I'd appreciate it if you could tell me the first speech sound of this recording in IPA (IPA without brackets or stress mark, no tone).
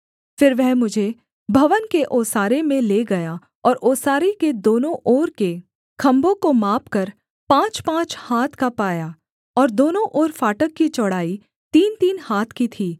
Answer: f